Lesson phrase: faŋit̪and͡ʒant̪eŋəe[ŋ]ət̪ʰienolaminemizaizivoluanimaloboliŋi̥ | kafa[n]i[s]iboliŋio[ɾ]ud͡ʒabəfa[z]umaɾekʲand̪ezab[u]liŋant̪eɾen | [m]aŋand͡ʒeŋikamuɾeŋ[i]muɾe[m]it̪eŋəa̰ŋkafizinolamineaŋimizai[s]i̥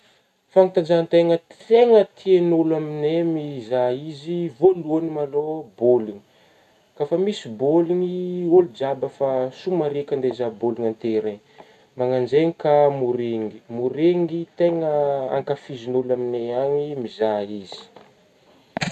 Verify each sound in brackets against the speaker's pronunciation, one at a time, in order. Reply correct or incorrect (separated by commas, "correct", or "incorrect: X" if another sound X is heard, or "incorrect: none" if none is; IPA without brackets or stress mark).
correct, incorrect: m, correct, incorrect: l, incorrect: s, incorrect: o, correct, correct, incorrect: ŋ, incorrect: z